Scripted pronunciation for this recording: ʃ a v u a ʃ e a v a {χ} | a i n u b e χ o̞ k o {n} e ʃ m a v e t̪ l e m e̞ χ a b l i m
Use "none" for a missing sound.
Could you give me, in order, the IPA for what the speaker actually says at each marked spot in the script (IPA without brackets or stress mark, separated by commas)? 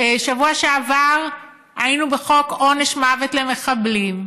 ʁ, n